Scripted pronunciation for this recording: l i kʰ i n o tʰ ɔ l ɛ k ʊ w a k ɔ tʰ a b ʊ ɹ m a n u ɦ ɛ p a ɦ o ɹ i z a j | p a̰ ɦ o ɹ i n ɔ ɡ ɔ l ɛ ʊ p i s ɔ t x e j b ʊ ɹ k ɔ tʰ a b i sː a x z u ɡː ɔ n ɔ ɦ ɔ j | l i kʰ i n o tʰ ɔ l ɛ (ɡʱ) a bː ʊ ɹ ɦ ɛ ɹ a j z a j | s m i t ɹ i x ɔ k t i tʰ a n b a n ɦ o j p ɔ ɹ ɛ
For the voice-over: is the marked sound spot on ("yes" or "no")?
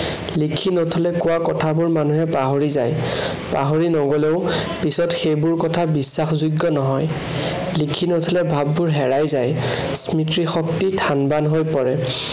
no